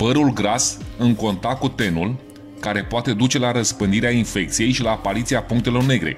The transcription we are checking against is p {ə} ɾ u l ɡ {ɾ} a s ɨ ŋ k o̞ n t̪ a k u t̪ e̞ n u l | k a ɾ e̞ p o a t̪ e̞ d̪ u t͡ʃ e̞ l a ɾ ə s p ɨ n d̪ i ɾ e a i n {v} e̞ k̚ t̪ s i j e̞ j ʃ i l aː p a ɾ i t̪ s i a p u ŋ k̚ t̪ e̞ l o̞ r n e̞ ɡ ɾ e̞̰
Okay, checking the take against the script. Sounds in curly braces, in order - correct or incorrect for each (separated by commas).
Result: correct, correct, incorrect